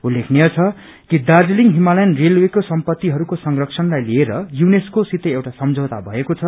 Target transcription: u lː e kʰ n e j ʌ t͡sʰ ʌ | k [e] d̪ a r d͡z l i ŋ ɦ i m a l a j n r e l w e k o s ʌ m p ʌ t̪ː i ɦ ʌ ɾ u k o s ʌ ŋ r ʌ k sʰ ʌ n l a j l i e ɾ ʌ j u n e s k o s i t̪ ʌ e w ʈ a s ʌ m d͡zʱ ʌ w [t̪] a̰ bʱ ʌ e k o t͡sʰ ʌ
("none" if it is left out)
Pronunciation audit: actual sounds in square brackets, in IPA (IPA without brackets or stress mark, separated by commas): i, t̪